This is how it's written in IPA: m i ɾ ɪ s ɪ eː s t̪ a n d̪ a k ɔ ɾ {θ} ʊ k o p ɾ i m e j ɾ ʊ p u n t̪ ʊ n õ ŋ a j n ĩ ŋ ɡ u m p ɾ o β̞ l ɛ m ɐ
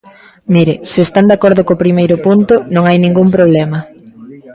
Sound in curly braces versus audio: incorrect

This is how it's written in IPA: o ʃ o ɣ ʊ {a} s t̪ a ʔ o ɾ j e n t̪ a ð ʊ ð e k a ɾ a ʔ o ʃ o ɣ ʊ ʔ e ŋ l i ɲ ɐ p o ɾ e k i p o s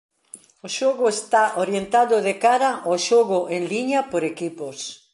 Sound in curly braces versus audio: incorrect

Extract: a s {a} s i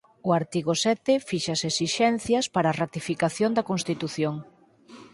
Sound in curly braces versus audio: incorrect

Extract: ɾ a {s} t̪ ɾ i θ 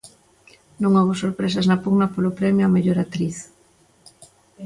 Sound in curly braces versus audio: incorrect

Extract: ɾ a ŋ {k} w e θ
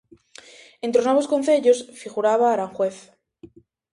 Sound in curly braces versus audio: incorrect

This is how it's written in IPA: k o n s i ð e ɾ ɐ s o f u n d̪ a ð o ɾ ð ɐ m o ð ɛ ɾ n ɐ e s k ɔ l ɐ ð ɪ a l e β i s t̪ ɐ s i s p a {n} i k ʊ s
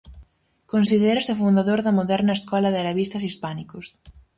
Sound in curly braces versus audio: correct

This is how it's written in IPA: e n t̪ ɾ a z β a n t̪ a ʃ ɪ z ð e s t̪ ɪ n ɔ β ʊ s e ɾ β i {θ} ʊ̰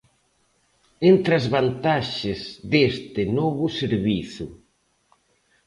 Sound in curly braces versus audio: correct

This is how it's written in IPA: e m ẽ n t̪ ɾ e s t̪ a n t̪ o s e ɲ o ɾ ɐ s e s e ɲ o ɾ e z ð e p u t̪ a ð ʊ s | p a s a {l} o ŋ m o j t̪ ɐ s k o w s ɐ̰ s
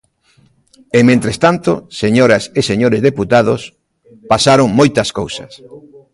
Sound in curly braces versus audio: incorrect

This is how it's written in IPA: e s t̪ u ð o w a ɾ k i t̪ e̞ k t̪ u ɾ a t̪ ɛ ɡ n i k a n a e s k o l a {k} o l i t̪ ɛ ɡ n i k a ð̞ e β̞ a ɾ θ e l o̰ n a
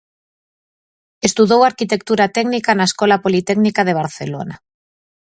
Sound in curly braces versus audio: incorrect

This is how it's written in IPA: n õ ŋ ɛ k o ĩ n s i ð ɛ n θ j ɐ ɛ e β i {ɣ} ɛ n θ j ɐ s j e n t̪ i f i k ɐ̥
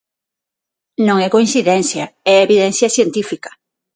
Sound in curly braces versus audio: incorrect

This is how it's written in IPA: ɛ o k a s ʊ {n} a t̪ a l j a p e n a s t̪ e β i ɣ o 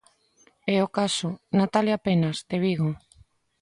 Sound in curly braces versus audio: correct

